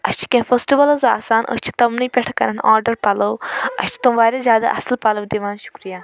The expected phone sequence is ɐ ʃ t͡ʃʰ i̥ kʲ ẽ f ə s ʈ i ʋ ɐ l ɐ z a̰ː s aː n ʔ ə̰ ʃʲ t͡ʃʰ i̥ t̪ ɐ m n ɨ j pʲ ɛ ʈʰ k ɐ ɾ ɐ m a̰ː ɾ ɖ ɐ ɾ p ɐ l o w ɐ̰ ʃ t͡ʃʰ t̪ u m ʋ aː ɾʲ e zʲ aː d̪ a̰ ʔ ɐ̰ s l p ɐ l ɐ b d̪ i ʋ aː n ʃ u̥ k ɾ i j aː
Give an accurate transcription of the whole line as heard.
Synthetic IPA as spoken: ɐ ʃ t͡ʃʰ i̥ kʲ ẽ f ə s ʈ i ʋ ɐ l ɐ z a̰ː s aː n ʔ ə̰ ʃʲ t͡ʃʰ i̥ t̪ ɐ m n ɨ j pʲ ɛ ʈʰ k ɐ ɾ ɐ n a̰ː ɾ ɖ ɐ ɾ p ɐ l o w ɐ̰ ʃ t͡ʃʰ t̪ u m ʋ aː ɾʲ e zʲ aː d̪ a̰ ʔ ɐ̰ s l p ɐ l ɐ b d̪ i ʋ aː n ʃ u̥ k ɾ i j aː